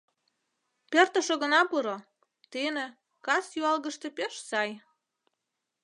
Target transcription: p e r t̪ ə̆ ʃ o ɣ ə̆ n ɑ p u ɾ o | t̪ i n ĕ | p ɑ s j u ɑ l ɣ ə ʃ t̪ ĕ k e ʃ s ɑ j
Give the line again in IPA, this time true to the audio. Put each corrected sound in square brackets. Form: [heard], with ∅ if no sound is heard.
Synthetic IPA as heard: p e r t̪ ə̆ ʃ o ɣ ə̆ n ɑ p u ɾ o | t̪ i n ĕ | [k] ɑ s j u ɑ l ɣ ə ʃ t̪ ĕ [p] e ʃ s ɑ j

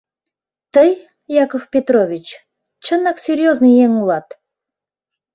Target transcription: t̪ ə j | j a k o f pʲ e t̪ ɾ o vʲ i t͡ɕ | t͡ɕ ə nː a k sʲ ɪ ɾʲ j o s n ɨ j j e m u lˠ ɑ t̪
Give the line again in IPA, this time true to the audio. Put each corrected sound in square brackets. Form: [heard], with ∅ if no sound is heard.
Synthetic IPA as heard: t̪ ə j | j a k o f pʲ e t̪ ɾ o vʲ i t͡ɕ | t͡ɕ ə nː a k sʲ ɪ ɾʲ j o [z] n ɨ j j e [ŋ] u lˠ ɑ t̪

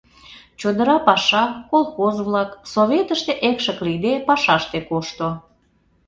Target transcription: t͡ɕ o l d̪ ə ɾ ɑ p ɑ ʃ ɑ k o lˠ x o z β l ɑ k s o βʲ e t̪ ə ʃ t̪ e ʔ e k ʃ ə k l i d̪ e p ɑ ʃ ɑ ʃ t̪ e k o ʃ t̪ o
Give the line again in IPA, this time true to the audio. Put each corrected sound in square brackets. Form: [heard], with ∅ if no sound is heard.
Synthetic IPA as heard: t͡ɕ o [∅] d̪ ə ɾ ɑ p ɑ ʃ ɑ k o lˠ x o z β l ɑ k s o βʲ e t̪ ə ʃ t̪ e ʔ e k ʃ ə k l i d̪ e p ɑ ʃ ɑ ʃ t̪ e k o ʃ t̪ o

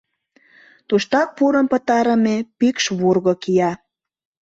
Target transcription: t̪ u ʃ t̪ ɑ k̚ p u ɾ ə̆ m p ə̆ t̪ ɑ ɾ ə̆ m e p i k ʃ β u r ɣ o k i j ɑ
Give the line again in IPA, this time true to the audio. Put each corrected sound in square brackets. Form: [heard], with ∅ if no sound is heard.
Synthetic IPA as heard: t̪ u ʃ t̪ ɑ k̚ p u ɾ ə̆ m p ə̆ t̪ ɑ ɾ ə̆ m e p i k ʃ β u r ɣ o k i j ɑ

